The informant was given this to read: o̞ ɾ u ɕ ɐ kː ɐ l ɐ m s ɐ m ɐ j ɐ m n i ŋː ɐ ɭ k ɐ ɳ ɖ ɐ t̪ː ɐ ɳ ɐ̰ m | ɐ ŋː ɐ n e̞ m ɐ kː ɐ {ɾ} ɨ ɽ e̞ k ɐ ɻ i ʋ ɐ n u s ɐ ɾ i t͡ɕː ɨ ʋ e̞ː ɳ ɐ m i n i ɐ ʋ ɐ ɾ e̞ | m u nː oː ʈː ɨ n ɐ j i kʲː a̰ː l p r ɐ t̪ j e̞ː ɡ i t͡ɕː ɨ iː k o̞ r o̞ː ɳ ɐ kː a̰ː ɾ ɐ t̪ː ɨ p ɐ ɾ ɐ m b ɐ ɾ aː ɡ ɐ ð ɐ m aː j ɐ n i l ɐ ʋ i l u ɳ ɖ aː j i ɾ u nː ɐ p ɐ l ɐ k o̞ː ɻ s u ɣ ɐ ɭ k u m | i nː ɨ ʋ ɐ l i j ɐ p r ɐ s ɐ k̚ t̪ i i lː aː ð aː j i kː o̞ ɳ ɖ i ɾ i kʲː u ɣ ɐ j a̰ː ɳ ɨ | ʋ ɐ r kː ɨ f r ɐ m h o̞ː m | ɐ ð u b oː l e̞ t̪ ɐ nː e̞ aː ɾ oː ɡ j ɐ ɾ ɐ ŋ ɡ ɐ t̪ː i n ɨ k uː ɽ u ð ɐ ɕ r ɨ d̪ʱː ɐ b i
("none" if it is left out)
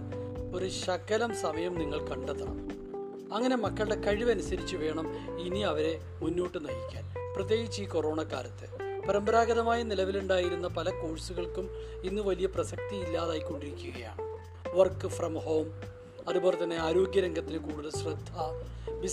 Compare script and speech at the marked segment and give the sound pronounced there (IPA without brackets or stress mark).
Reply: ɭ